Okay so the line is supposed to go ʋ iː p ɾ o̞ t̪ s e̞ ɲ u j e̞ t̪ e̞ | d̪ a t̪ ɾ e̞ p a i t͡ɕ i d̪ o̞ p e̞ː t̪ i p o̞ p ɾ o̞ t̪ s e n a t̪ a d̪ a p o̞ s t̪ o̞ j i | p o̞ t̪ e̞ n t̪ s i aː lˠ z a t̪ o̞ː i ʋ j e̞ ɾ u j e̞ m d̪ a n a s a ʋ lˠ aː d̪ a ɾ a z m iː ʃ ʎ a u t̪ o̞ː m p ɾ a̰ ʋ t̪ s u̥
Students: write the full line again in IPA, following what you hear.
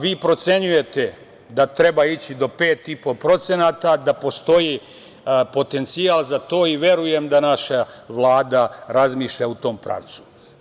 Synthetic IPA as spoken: ʋ iː p ɾ o̞ t̪ s e̞ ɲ u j e̞ t̪ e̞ | d̪ a t̪ ɾ e̞ b a i t͡ɕ i d̪ o̞ p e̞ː t̪ i p o̞ p ɾ o̞ t̪ s e n a t̪ a d̪ a p o̞ s t̪ o̞ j i | p o̞ t̪ e̞ n t̪ s i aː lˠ z a t̪ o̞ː i ʋ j e̞ ɾ u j e̞ m d̪ a n a ʃ a ʋ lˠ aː d̪ a ɾ a z m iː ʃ ʎ a u t̪ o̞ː m p ɾ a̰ ʋ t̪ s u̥